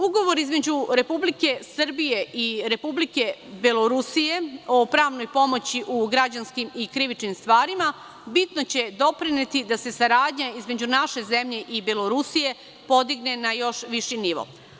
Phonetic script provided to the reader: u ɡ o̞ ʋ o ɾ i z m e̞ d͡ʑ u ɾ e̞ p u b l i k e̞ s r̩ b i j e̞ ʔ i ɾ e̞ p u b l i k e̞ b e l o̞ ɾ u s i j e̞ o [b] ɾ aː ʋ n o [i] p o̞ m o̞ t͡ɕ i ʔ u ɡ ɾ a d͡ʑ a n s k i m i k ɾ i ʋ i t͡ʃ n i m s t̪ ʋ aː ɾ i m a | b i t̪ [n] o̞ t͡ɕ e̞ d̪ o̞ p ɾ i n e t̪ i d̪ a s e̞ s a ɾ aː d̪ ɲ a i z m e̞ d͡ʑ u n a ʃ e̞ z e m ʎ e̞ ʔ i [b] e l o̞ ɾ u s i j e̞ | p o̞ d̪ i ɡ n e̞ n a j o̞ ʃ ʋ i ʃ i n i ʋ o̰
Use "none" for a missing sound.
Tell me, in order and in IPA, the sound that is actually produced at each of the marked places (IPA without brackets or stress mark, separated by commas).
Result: p, j, n, b